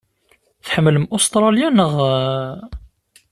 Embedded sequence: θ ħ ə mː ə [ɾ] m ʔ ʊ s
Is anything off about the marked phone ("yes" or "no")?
yes